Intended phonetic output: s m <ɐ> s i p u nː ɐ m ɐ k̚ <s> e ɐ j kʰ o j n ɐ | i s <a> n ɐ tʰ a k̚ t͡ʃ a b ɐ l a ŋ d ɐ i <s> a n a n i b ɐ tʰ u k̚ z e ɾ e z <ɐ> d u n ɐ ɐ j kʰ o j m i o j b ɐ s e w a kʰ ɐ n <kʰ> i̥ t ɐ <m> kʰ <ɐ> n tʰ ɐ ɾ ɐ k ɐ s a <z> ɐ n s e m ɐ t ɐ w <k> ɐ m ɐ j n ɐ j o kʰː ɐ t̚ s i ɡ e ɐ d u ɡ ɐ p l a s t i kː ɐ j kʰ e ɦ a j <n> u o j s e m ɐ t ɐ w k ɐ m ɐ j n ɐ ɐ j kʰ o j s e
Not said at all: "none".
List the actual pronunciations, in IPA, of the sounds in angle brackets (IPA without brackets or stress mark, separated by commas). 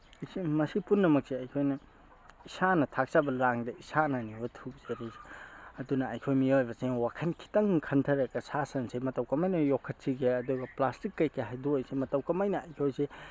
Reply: ɐ, s, a, s, ɐ, kʰ, ŋ, ɐ, s, k, d